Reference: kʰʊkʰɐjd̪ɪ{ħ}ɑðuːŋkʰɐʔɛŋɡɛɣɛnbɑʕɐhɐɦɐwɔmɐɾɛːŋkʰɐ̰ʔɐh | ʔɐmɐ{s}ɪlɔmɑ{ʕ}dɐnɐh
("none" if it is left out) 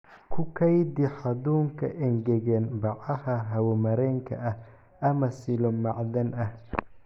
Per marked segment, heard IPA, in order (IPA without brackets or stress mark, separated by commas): ħ, s, ʕ